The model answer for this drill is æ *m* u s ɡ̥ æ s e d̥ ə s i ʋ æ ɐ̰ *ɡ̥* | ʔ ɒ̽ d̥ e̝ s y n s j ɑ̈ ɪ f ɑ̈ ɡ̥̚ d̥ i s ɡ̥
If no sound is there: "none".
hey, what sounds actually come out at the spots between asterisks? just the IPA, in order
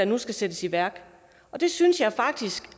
n, ɡ̥

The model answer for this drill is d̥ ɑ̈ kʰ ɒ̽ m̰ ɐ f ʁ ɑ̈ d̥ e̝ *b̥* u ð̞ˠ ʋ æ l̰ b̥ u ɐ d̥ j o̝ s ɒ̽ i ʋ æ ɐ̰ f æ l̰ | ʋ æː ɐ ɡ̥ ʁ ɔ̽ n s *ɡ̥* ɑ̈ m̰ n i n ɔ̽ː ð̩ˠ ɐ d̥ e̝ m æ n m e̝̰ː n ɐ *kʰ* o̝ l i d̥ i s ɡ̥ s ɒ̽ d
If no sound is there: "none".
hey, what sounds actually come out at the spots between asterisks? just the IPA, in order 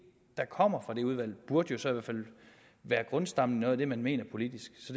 none, d̥, pʰ

